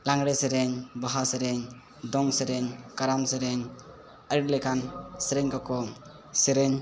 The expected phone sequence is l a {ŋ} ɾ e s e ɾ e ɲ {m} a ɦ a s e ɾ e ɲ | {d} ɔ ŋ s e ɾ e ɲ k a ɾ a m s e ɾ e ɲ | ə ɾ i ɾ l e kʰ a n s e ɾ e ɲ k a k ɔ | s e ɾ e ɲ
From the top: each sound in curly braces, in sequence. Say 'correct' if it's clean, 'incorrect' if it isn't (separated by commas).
correct, incorrect, correct